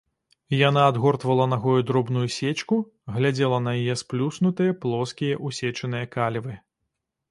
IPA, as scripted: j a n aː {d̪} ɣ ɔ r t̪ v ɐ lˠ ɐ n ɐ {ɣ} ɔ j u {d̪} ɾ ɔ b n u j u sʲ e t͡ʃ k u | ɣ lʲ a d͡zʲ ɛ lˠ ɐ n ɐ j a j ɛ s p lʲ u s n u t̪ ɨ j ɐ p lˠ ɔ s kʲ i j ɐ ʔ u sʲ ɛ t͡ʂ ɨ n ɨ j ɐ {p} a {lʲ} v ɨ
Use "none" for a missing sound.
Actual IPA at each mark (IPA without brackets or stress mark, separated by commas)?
d̪, ɣ, d̪, k, lʲ